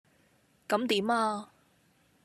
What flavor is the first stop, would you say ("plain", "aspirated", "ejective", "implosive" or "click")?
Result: plain